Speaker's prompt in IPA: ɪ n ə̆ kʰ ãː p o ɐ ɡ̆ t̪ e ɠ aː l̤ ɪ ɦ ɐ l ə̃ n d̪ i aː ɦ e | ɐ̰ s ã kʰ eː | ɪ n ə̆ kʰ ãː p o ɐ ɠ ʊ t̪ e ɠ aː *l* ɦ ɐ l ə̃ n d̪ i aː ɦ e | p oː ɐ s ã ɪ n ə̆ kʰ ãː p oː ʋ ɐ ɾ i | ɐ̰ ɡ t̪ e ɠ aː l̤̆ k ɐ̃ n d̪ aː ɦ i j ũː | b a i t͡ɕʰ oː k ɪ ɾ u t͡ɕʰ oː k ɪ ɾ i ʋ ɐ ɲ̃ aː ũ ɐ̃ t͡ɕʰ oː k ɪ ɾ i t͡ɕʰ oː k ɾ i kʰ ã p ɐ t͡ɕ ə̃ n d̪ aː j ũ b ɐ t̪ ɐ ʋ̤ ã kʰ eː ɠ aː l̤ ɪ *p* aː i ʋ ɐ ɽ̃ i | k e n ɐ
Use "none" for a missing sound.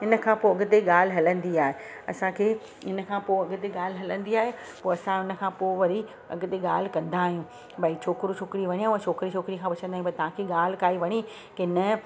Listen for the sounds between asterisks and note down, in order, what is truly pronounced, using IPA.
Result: l, k

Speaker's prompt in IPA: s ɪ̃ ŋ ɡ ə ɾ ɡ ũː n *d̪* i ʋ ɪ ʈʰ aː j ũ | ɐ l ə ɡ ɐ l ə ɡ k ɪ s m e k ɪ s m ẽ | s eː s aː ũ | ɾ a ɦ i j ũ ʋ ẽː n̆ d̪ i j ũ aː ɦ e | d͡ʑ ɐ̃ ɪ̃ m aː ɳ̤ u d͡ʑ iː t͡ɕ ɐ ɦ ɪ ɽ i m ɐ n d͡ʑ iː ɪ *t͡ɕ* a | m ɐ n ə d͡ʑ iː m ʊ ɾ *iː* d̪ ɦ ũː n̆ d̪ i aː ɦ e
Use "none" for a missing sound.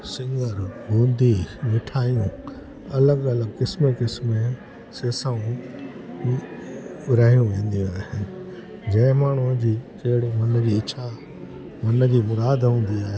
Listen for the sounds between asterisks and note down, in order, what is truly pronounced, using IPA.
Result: d̪, t͡ɕʰ, aː

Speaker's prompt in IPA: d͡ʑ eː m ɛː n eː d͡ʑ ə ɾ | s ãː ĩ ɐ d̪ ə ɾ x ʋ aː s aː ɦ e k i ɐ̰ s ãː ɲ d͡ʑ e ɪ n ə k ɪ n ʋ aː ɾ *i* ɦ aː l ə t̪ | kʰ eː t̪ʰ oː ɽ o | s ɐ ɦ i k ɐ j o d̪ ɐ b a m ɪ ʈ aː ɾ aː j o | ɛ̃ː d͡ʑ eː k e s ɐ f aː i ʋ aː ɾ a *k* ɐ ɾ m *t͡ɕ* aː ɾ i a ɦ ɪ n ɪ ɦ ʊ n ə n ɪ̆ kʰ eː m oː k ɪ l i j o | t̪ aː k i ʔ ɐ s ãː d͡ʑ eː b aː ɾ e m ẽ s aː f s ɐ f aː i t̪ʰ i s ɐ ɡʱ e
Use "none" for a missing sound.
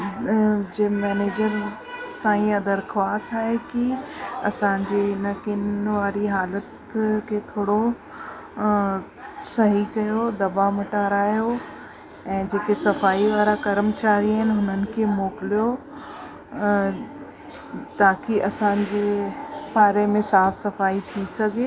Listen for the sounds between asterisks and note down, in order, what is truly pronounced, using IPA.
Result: i, k, t͡ɕ

